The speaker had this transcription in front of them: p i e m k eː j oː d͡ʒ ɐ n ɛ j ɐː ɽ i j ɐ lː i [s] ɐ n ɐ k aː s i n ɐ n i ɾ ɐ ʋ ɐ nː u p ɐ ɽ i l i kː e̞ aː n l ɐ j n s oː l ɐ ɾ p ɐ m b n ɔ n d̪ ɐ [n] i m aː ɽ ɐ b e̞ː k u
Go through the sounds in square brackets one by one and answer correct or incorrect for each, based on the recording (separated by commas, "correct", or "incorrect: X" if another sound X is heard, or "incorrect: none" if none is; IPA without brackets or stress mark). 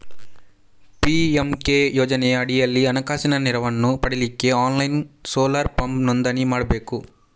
incorrect: none, correct